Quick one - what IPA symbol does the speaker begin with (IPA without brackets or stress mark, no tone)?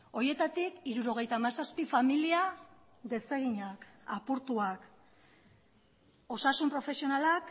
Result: o̞